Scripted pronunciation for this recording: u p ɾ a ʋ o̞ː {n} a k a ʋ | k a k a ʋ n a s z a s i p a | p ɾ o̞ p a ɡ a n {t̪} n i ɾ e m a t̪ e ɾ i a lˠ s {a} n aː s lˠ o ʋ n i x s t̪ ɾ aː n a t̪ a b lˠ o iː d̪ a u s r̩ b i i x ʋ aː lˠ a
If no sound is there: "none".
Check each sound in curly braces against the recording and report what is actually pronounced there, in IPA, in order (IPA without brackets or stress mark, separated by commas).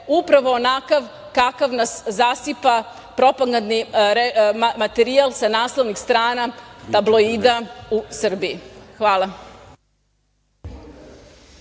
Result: n, d̪, a